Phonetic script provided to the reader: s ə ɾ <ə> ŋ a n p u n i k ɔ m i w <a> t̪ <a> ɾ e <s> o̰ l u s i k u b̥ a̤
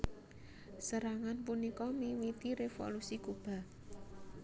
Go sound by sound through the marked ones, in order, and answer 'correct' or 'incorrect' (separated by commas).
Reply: incorrect, incorrect, incorrect, incorrect